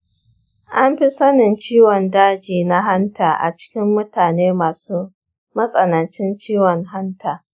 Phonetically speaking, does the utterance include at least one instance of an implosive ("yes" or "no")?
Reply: no